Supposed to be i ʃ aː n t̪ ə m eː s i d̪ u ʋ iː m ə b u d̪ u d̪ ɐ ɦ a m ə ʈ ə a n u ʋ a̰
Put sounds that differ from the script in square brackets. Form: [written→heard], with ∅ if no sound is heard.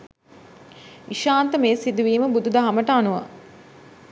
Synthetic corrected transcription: i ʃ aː n t̪ ə m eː s i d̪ u ʋ iː m ə b u d̪ u d̪ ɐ ɦ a m ə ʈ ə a n u ʋ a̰